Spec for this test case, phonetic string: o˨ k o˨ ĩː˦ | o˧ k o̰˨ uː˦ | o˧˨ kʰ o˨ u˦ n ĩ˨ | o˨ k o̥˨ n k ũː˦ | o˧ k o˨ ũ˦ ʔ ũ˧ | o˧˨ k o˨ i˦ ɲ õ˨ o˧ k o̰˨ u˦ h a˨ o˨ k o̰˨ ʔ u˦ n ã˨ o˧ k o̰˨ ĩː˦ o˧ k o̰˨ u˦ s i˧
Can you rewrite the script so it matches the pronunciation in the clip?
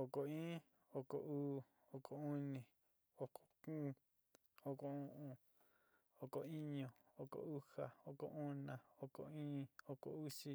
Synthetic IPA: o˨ k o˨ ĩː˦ | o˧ k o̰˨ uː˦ | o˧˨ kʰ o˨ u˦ n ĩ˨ | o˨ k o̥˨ k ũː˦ | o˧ k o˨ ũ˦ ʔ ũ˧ | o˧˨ k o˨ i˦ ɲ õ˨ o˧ k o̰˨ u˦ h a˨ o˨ k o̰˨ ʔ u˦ n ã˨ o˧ k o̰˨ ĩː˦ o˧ k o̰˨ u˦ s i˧

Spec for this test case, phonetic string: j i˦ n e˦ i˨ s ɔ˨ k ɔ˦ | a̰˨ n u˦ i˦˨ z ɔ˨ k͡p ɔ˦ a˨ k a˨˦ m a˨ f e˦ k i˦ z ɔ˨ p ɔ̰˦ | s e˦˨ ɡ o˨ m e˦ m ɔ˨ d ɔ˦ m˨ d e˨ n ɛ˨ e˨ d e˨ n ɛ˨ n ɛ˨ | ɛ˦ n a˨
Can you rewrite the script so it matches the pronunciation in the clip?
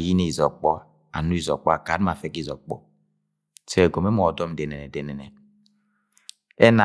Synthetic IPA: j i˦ n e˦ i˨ z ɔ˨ k͡p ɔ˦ | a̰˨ n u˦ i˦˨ z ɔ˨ k͡p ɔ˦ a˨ k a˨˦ m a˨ f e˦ k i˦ z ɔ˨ k͡p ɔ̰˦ | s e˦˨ ɡ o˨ m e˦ m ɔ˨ d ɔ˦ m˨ d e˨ n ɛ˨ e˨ d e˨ n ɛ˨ n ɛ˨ | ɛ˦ n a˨

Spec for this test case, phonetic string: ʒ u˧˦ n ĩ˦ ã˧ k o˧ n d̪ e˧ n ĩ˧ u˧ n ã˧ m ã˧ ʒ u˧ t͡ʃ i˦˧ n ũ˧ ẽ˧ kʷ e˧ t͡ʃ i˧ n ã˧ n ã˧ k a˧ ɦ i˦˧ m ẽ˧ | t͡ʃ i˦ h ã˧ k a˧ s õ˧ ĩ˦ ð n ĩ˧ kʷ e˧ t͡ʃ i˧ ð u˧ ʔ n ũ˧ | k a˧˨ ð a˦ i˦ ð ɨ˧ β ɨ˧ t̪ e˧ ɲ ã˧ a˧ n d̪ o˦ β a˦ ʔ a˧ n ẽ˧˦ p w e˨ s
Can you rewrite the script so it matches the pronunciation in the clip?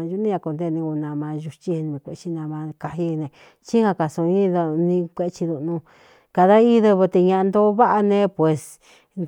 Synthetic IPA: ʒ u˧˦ n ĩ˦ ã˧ k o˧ n d̪ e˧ n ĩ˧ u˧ n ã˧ m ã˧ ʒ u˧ t͡ʃ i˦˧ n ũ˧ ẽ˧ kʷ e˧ t͡ʃ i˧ n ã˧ m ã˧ k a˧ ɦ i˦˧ n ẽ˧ | t͡ʃ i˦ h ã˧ k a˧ s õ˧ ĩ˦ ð n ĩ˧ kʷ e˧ t͡ʃ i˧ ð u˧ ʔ n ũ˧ | k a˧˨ ð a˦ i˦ ð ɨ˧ β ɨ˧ t̪ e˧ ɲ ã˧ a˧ n d̪ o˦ β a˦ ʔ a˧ n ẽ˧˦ p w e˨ s

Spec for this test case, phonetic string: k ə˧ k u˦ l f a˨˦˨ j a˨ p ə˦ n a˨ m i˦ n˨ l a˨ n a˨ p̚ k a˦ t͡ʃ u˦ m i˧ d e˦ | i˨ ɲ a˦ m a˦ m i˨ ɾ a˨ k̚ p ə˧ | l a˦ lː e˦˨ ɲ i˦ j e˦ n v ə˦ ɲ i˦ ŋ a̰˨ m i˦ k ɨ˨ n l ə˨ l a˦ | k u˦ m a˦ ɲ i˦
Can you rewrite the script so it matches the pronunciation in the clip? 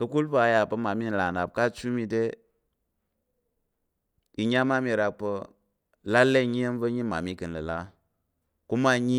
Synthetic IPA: k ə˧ k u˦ l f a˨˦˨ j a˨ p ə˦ m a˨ m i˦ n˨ l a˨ n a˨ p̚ k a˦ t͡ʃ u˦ m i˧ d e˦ | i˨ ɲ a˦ m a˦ m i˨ ɾ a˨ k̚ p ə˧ | l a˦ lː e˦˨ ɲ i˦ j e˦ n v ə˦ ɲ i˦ m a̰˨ m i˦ k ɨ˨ n l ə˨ l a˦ | k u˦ m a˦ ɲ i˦

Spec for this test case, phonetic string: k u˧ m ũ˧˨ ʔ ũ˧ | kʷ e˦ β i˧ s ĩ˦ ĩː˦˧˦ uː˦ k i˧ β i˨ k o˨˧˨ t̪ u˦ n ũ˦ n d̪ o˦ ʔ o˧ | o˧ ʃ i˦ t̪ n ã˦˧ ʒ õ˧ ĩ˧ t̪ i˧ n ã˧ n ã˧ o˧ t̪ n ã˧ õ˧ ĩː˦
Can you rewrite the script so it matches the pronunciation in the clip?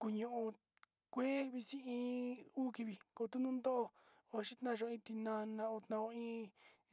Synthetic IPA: k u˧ ɲ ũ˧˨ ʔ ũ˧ | kʷ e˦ β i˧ s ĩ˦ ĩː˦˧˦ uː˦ k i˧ β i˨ k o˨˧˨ t̪ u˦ n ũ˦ n d̪ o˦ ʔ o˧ | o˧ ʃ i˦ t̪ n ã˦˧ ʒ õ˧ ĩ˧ t̪ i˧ n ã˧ n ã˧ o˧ t̪ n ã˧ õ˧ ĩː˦

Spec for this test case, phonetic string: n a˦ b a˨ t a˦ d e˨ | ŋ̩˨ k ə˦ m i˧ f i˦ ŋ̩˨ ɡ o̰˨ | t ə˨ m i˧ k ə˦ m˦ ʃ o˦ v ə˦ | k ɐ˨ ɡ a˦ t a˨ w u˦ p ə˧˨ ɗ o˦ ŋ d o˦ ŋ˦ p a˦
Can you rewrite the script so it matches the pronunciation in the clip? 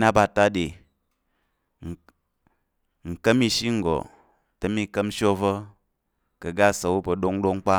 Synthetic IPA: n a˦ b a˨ t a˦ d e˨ | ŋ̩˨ k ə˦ m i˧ ʃ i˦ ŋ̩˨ ɡ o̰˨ | t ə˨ m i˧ k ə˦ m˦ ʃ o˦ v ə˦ | k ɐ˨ ɡ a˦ s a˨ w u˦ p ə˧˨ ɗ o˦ ŋ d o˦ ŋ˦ k͡p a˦

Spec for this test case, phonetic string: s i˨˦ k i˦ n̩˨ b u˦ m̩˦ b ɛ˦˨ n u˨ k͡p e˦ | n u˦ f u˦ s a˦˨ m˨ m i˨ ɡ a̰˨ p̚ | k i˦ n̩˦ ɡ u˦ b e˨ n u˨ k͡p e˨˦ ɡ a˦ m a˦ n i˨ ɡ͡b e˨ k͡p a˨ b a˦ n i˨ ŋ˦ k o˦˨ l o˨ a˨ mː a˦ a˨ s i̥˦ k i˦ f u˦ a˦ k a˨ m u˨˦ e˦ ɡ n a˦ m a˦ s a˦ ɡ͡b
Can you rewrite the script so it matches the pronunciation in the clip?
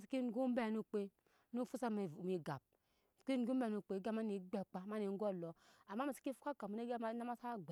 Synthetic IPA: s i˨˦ k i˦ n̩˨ ɡ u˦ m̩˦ b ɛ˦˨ n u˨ k͡p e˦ | n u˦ f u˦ s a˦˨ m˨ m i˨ ɡ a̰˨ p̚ | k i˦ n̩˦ ɡ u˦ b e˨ n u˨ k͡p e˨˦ ɡ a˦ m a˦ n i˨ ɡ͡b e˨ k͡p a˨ m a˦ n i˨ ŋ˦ ɡ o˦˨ l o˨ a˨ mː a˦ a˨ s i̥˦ k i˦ f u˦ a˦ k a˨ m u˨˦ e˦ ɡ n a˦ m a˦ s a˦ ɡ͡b

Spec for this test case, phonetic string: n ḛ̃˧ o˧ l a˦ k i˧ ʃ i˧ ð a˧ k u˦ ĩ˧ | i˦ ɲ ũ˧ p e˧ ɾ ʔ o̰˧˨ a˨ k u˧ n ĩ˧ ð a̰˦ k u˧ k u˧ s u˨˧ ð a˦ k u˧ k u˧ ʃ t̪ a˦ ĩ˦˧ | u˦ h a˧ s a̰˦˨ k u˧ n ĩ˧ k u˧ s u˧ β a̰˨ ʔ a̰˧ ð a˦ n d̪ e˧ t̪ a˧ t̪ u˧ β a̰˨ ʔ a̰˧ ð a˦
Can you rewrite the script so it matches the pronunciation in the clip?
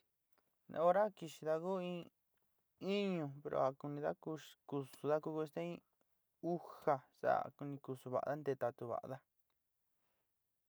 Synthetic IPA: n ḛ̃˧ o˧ ɾ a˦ k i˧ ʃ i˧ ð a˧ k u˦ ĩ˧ | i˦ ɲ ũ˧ p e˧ ɾ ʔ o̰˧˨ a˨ k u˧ n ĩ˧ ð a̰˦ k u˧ k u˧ s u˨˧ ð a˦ k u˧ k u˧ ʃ t̪ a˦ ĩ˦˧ | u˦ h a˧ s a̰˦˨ k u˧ n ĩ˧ k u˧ s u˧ β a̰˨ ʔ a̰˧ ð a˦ n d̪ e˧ t̪ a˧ t̪ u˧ β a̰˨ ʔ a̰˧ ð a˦

